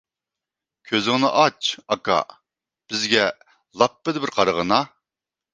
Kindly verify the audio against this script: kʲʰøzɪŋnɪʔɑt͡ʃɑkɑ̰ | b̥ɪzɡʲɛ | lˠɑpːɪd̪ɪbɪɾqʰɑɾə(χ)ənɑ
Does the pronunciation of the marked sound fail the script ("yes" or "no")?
yes